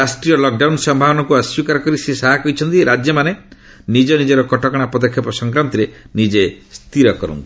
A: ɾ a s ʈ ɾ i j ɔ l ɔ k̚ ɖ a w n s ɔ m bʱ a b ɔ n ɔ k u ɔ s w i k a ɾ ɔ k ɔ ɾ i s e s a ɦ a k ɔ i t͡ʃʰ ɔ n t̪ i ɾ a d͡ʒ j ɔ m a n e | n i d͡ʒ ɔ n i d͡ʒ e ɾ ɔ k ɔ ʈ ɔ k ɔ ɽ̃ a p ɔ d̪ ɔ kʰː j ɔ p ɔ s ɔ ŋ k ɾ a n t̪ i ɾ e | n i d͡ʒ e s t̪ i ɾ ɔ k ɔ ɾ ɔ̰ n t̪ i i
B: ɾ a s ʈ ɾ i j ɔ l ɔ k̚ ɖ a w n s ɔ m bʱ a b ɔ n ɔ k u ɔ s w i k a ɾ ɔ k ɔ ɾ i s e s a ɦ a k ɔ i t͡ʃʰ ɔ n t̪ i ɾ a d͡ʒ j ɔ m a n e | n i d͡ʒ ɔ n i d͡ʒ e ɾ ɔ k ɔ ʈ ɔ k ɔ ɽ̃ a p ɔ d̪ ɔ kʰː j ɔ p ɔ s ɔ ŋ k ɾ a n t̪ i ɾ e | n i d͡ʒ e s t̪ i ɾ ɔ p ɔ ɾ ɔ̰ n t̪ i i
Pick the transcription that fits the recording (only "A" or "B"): A